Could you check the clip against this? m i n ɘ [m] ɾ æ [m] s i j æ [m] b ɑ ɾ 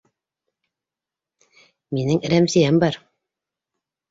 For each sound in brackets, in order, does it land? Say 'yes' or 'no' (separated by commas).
no, yes, yes